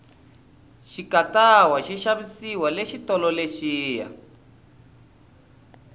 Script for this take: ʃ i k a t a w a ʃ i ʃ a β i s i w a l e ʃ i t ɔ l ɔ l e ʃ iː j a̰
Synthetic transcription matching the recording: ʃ i k a t a w a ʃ i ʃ a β i s i w a l e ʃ i t ɔ l ɔ l e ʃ iː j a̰